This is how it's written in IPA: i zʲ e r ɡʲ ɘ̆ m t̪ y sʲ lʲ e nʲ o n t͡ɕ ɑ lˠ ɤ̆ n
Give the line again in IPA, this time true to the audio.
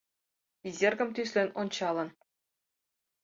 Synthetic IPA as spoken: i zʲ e r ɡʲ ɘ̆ m t̪ y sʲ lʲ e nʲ o n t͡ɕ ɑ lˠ ɤ̆ n